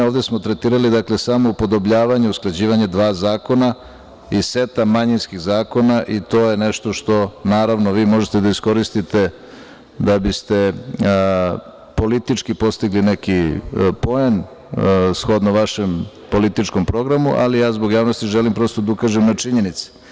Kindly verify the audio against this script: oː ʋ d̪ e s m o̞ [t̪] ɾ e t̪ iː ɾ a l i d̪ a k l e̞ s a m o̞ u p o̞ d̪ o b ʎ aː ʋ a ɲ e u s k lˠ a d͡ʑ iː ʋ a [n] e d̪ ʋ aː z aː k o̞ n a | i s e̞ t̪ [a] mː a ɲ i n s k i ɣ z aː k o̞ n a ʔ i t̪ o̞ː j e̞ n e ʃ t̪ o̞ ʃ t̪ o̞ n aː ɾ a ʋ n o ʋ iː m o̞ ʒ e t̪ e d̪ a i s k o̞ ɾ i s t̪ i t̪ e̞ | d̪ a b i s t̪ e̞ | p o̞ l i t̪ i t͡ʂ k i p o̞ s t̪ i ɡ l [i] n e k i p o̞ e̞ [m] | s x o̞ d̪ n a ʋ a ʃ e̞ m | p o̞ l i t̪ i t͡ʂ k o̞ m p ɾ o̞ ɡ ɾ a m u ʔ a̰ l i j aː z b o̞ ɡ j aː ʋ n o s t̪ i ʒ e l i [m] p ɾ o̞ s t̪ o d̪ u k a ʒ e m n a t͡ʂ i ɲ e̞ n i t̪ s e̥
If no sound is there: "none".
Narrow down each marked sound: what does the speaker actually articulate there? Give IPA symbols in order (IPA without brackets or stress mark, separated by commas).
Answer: t̪, ɲ, a, i, n, m